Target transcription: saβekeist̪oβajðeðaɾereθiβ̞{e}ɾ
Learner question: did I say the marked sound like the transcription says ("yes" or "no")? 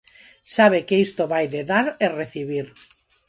no